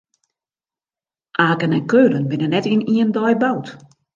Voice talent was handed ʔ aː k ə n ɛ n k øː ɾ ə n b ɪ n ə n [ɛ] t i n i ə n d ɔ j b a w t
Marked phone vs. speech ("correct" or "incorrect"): correct